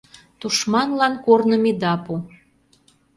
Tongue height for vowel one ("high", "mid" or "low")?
high